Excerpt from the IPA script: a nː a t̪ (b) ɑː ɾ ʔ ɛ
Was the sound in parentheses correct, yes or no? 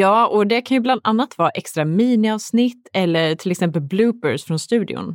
no